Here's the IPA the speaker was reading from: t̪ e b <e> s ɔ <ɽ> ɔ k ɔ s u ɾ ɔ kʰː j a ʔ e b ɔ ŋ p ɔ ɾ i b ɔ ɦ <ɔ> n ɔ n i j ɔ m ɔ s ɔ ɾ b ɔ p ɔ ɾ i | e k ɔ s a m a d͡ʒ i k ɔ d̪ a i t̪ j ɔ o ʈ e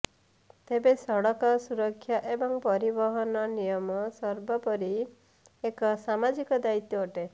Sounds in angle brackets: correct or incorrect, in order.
correct, correct, correct

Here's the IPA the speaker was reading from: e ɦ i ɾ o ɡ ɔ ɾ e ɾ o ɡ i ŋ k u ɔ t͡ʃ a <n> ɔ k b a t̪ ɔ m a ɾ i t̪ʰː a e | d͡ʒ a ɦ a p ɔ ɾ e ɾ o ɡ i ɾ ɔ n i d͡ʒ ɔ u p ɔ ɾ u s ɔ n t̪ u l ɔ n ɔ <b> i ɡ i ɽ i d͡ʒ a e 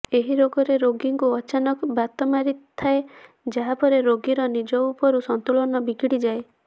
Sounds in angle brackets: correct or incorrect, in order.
correct, correct

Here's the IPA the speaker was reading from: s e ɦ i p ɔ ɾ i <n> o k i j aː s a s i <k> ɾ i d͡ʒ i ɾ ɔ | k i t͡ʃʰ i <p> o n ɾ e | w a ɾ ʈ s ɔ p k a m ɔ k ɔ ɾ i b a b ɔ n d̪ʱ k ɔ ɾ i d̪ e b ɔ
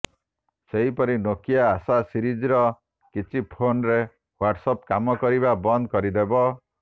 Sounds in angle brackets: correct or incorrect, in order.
correct, incorrect, incorrect

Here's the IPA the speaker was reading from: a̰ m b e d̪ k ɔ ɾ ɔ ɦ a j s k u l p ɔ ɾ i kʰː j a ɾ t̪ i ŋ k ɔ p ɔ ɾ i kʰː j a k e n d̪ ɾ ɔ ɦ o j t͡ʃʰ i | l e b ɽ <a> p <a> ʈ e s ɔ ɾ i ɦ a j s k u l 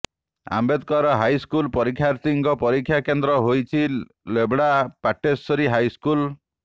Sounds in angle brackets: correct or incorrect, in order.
correct, correct

